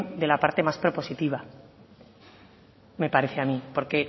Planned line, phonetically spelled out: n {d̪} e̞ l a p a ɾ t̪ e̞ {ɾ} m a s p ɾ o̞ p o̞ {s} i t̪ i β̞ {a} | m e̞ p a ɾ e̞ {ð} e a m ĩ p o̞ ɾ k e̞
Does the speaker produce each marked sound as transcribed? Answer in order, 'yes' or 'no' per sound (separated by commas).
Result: yes, no, yes, yes, no